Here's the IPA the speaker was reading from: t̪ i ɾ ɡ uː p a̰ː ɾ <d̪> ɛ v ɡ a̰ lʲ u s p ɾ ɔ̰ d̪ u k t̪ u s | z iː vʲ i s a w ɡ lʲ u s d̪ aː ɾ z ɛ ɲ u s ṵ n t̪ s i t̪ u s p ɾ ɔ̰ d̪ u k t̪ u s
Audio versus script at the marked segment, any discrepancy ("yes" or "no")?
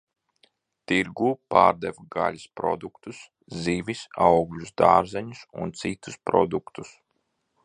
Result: no